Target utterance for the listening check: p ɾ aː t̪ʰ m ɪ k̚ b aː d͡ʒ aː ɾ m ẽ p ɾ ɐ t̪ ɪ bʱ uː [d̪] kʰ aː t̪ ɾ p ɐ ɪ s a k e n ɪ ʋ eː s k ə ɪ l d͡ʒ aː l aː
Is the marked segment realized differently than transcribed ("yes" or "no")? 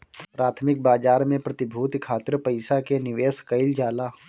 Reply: yes